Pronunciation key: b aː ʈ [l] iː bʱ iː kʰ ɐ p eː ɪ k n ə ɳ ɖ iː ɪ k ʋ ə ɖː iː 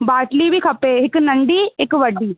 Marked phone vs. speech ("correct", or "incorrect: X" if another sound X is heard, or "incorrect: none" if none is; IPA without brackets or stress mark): correct